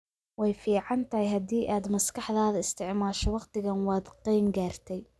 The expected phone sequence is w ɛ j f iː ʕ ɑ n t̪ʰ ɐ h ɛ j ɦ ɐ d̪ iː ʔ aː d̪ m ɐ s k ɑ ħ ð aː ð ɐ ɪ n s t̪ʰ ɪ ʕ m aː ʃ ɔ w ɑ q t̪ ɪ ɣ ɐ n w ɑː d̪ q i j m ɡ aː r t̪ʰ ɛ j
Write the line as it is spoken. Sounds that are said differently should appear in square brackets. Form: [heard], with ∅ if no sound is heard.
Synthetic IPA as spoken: w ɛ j f iː ʕ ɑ n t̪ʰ ɐ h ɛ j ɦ ɐ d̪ iː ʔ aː d̪ m ɐ s k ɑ ħ ð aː ð ɐ ɪ [∅] s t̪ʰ ɪ ʕ m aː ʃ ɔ w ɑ q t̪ ɪ ɣ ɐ n w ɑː d̪ q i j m ɡ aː r t̪ʰ ɛ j